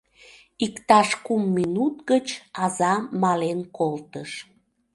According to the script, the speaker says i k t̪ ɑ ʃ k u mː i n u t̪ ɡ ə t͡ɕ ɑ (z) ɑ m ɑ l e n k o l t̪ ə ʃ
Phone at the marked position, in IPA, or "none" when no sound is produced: z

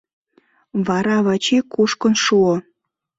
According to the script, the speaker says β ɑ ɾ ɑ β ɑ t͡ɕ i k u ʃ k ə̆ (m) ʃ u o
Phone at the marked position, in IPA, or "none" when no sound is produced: n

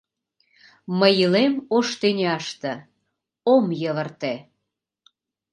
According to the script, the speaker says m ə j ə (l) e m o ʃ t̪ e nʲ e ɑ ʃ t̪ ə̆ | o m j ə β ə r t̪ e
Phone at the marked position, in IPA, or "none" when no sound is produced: l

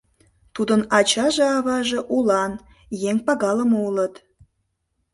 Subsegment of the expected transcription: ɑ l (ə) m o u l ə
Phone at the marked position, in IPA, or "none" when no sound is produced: ə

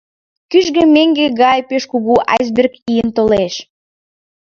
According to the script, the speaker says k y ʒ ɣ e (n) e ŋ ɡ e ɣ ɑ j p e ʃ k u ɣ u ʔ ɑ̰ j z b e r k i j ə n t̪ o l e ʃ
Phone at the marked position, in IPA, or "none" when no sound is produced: m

